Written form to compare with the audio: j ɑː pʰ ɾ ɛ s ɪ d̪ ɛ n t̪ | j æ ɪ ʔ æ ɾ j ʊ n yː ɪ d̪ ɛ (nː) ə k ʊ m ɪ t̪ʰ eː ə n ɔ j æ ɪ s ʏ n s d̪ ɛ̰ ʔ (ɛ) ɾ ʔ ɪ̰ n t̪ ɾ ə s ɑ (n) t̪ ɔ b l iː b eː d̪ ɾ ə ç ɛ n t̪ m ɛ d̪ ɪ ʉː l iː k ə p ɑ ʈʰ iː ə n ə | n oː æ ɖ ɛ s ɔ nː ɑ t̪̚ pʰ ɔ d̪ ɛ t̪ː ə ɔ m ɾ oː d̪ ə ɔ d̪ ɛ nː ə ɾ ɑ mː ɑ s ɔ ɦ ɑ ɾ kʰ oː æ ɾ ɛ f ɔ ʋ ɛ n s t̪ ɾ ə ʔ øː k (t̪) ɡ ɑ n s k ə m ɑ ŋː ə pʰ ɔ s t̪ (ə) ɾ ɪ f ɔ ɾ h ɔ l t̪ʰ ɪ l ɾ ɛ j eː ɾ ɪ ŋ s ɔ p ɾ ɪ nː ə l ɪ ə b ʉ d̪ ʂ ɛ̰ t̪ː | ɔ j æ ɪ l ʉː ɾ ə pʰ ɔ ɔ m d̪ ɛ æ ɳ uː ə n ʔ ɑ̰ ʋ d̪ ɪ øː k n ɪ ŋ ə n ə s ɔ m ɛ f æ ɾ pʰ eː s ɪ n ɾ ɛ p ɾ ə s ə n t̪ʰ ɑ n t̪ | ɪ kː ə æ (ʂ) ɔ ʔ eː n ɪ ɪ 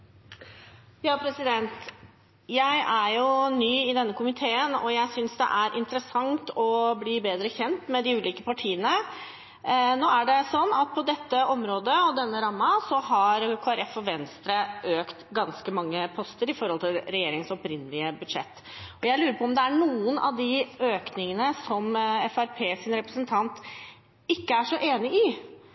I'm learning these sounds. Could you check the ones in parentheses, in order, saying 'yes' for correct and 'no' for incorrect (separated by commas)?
yes, no, no, yes, yes, yes